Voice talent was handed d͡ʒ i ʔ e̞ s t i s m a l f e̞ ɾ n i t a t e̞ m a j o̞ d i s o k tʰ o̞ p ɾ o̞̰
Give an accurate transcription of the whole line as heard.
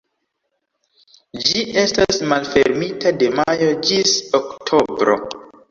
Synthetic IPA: d͡ʒ i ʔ e̞ s t a s m a l f e̞ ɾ m i t a d e̞ m a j o̞ d͡ʒ i s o k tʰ o̞ b ɾ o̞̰